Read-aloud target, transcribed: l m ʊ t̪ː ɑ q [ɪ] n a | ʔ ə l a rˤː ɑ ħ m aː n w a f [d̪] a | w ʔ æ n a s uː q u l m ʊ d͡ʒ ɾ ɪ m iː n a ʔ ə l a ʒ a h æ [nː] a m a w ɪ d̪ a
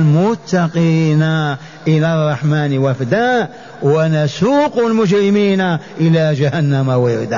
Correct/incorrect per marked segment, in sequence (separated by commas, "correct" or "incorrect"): incorrect, correct, correct